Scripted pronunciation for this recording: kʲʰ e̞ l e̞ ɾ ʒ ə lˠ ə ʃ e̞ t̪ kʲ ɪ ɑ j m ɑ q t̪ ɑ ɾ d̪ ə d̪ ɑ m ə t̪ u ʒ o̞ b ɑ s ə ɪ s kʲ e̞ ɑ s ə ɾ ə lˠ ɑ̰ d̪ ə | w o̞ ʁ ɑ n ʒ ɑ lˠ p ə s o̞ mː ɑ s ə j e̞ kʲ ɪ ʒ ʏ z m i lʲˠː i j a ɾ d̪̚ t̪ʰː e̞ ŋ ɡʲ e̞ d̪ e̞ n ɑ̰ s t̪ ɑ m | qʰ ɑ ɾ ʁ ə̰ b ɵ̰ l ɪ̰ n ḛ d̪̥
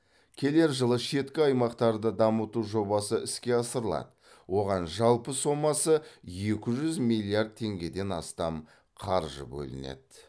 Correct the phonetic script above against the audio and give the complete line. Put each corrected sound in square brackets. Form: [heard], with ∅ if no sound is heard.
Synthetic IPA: kʲʰ e̞ l e̞ ɾ ʒ ə lˠ ə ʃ e̞ t̪ kʲ ɪ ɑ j m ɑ q t̪ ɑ ɾ d̪ ə d̪ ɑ m ə t̪ u ʒ o̞ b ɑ s ə ɪ s kʲ e̞ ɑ s ə ɾ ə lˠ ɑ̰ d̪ ə | w o̞ ʁ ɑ n ʒ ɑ lˠ p ə s o̞ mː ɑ s ə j e̞ kʲ ɪ ʒ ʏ z m i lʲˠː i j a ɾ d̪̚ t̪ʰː e̞ ŋ ɡʲ e̞ d̪ e̞ n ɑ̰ s t̪ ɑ m | qʰ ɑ ɾ [ʒ] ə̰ b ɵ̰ l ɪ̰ n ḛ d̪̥